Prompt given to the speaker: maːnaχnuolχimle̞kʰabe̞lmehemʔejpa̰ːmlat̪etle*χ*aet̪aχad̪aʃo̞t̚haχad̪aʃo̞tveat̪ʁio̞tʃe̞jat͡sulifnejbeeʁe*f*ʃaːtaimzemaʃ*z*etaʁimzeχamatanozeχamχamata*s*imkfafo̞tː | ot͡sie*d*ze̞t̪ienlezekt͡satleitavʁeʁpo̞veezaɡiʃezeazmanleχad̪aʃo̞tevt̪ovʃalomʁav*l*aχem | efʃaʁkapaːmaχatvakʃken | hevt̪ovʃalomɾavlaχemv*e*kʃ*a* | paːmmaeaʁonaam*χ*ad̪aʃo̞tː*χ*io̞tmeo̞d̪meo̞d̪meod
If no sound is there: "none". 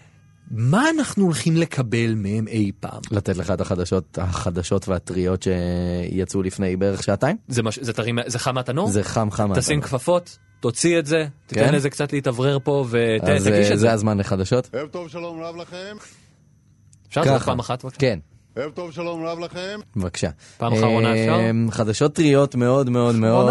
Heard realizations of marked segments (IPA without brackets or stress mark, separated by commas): χ, χ, z, s, t, l, a, a, χ, ʁ